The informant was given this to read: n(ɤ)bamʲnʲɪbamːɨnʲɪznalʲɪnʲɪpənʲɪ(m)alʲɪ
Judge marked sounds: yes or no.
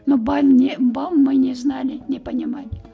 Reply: no, yes

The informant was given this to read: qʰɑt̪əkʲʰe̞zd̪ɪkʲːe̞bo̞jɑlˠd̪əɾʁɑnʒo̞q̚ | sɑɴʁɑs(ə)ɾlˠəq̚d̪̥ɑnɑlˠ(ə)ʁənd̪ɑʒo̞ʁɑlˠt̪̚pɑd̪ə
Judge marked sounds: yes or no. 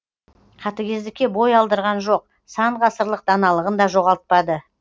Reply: yes, yes

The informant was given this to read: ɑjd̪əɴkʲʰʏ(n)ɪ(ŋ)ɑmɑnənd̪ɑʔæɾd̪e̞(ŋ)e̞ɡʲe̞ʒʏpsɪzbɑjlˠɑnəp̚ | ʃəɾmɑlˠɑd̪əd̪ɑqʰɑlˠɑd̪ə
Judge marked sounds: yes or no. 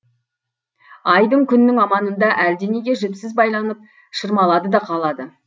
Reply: no, yes, no

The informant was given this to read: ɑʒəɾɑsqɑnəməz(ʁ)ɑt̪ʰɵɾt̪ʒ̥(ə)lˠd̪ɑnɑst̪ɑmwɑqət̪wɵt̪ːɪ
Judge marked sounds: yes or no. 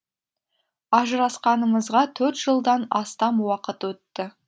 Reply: yes, yes

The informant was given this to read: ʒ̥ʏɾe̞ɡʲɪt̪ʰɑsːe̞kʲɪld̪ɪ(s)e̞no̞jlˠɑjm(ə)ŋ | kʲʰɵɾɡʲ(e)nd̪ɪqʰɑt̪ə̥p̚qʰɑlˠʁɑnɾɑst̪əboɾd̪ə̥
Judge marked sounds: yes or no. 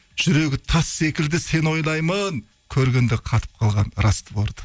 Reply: yes, yes, yes

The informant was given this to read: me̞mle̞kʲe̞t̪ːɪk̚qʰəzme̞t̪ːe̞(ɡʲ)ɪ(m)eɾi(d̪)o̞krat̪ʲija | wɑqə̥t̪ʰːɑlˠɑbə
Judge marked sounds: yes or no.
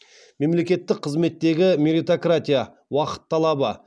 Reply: yes, yes, no

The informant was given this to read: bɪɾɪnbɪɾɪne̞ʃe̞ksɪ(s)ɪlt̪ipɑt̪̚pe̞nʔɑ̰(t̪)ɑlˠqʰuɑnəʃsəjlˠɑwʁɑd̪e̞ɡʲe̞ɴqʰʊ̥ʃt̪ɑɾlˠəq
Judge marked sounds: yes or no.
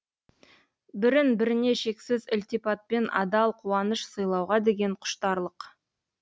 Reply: no, no

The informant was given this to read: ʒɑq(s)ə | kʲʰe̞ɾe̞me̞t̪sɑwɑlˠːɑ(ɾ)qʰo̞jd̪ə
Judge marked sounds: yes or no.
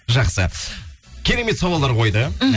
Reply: yes, yes

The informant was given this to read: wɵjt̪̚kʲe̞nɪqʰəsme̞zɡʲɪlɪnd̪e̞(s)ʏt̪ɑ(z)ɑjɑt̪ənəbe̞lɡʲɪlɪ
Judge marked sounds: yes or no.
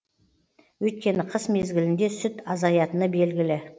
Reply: yes, yes

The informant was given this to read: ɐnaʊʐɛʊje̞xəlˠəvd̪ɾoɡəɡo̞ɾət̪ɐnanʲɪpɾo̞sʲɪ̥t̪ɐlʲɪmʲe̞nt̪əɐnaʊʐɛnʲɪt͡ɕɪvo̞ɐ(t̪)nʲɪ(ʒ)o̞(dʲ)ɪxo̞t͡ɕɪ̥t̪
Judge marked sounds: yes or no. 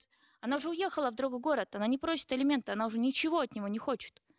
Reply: yes, no, no

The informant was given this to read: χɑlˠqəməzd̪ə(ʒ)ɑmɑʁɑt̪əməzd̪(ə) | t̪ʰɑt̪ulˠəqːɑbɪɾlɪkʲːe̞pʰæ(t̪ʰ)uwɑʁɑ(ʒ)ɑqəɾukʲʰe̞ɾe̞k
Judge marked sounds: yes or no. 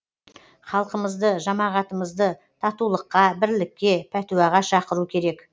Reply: yes, yes, no, no

